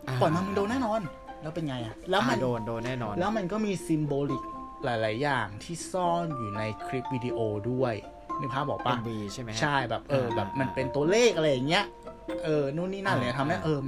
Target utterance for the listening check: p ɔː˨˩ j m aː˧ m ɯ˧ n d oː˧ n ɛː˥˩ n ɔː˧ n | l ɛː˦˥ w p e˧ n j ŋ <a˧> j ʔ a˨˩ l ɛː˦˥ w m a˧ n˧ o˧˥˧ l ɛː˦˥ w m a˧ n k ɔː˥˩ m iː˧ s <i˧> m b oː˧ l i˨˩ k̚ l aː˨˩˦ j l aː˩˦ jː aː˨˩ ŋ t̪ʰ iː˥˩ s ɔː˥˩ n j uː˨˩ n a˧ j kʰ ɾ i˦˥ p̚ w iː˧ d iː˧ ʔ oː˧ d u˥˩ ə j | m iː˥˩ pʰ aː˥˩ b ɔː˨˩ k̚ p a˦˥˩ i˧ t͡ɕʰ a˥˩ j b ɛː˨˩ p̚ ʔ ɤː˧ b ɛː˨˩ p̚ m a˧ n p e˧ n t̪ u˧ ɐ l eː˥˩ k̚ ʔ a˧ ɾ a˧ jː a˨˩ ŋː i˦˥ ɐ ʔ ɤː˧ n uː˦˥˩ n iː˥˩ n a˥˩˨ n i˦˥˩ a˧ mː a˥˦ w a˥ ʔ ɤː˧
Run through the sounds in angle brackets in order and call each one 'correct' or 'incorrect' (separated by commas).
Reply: correct, correct